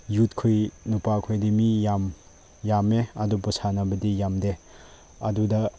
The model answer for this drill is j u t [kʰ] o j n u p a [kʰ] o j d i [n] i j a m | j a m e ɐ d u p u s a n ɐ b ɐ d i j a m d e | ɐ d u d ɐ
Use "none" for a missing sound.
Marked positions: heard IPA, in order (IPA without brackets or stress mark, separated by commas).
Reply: kʰ, kʰ, m